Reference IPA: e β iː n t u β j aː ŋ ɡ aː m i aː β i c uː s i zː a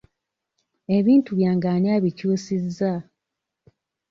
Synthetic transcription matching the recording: e β iː n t u β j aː ŋ ɡ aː n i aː β i c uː s i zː a